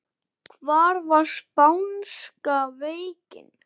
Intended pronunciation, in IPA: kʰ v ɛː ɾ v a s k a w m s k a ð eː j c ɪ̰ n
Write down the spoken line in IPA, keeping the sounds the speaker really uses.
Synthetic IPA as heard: kʰ v aː ɾ v a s p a w n s k a v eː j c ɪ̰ n